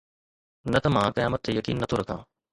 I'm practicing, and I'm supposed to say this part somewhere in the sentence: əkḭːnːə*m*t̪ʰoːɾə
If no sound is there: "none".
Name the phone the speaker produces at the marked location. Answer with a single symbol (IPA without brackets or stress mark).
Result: none